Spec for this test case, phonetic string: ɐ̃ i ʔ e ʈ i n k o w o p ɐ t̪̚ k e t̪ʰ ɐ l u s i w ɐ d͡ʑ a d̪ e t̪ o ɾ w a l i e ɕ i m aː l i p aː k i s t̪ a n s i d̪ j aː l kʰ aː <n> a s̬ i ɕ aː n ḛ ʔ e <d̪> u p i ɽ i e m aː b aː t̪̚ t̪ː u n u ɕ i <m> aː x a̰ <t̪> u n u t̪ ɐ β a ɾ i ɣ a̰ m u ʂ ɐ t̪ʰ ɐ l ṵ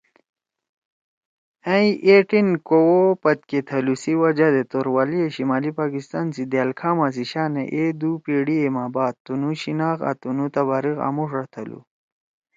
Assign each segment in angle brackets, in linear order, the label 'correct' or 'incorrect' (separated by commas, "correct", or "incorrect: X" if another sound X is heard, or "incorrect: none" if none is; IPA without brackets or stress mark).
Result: incorrect: m, correct, incorrect: n, correct